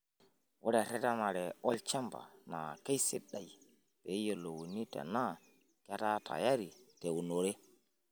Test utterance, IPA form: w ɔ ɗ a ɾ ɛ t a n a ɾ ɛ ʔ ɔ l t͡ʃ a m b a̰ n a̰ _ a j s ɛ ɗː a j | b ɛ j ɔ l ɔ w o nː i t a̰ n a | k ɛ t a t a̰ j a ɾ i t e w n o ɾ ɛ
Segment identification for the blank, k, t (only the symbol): k